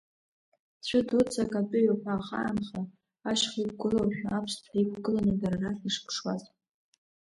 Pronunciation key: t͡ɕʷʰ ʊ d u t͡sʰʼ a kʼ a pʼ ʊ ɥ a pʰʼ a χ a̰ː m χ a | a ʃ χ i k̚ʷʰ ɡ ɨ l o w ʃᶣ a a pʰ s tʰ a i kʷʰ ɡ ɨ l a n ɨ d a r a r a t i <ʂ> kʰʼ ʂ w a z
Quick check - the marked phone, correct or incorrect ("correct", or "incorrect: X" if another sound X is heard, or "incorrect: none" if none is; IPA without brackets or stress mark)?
correct